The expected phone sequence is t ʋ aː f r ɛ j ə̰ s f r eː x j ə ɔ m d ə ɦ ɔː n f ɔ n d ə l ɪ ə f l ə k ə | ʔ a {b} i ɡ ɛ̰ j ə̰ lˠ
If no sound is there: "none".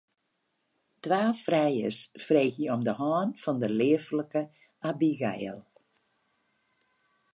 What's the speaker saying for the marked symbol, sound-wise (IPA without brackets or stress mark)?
b